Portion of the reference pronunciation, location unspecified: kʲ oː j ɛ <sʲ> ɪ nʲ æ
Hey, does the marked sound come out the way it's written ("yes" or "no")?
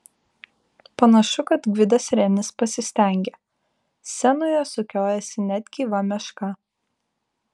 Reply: yes